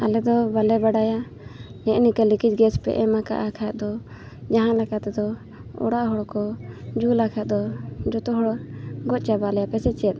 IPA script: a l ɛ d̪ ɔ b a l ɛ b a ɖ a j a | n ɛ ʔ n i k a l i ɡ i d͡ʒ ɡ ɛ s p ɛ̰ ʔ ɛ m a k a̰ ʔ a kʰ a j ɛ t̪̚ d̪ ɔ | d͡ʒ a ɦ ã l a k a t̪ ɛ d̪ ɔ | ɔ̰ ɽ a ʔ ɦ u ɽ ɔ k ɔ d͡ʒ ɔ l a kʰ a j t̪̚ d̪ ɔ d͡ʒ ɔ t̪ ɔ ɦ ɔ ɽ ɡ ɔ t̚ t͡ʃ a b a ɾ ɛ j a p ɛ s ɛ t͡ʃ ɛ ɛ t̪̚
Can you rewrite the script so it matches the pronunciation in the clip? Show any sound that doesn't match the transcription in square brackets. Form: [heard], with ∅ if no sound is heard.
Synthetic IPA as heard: a l ɛ d̪ ɔ b a l ɛ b a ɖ a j a | n ɛ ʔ n i k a l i [k] i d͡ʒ ɡ ɛ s p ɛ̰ ʔ ɛ m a k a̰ ʔ a kʰ a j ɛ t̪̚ d̪ ɔ | d͡ʒ a ɦ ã l a k a t̪ ɛ d̪ ɔ | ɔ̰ ɽ a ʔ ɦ [ɔ] ɽ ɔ k ɔ d͡ʒ [u] l a kʰ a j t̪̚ d̪ ɔ d͡ʒ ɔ t̪ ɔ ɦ ɔ ɽ ɡ ɔ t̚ t͡ʃ a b a [l] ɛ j a p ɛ s ɛ t͡ʃ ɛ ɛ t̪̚